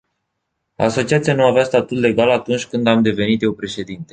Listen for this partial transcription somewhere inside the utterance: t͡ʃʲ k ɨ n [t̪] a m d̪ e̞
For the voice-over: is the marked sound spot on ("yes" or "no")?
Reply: no